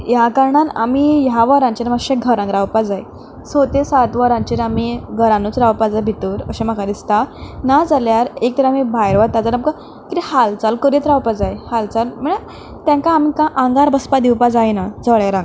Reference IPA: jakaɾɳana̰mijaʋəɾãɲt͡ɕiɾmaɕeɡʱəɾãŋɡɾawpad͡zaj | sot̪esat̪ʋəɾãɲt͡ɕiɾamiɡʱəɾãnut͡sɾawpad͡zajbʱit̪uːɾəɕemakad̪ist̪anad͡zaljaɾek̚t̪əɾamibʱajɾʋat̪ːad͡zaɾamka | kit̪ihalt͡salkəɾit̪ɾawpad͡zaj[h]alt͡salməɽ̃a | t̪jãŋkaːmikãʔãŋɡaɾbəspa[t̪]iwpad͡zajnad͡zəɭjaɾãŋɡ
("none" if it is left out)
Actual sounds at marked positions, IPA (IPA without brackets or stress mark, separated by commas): h, d̪